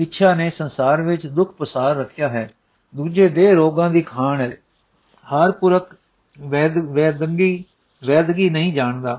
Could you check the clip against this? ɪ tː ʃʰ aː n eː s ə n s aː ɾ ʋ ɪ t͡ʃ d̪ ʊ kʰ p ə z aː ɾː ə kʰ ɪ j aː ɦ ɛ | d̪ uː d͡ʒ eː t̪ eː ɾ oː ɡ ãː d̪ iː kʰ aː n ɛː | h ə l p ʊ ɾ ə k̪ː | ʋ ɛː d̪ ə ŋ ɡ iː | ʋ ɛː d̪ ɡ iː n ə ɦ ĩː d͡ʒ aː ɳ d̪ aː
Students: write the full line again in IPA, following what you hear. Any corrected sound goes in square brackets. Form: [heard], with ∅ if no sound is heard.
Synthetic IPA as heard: ɪ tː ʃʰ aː n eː s ə n s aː ɾ ʋ ɪ t͡ʃ d̪ ʊ kʰ p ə [s] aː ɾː ə kʰ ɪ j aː ɦ [ɛː] | d̪ uː d͡ʒ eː [d̪] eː ɾ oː ɡ ãː d̪ iː kʰ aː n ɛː | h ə [ɾ] p ʊ ɾ ə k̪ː | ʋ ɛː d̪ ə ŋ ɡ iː | ʋ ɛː d̪ ɡ iː n ə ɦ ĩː d͡ʒ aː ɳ d̪ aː